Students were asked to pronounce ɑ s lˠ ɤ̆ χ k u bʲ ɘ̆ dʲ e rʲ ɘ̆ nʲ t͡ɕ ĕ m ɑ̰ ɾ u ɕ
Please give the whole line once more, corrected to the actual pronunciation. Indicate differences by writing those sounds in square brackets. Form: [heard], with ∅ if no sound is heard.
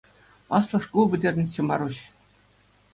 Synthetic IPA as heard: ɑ s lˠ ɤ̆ [ʂ] k u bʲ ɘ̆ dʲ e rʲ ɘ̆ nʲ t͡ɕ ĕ m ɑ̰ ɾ u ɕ